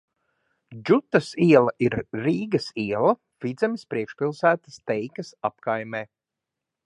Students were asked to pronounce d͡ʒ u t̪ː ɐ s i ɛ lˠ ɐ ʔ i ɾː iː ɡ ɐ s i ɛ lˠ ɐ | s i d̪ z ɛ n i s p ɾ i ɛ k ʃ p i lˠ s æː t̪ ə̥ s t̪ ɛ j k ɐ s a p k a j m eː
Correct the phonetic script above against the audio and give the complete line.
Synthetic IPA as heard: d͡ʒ u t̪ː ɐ s i ɛ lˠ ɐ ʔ i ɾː iː ɡ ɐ s i ɛ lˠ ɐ | f i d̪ z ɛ m i s p ɾ i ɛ k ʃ p i lˠ s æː t̪ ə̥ s t̪ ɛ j k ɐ s a p k a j m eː